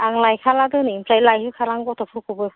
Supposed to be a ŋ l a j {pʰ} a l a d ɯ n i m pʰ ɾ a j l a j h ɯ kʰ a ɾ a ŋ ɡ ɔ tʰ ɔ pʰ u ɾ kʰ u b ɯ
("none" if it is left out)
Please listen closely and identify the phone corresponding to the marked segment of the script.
kʰ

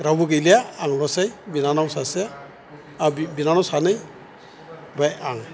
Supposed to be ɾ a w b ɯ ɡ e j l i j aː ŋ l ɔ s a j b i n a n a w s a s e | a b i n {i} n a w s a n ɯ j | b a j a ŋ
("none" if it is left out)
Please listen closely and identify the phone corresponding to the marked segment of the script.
a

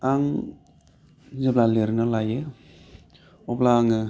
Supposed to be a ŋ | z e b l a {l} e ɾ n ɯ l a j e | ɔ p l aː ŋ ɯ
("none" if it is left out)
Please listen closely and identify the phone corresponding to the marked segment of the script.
l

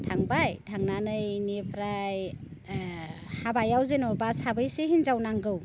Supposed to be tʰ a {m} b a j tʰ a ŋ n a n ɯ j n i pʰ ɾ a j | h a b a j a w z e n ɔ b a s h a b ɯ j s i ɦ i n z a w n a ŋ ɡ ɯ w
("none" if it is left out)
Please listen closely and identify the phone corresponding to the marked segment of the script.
ŋ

